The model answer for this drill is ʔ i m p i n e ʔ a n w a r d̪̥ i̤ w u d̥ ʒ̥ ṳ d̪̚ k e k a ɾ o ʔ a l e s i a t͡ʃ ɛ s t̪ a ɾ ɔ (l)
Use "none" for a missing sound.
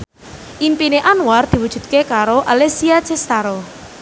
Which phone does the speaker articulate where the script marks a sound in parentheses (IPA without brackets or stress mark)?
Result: none